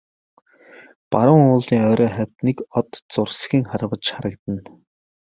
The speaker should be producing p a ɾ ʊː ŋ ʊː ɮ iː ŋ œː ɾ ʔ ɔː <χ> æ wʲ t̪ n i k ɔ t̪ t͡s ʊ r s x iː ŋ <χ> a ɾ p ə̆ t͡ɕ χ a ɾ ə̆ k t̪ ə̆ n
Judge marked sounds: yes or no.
yes, yes

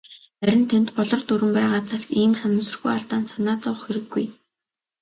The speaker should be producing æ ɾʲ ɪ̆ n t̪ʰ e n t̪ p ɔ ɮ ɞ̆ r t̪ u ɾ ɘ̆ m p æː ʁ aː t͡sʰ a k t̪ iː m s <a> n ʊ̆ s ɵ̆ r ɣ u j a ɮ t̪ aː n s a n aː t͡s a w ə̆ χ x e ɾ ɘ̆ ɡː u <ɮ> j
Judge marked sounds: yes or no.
yes, no

